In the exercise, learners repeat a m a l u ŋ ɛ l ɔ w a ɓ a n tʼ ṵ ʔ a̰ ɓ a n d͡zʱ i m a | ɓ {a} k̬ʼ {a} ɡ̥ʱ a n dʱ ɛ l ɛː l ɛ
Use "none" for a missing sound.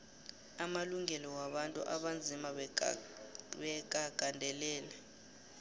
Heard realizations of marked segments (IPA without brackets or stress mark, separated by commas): ɛ, a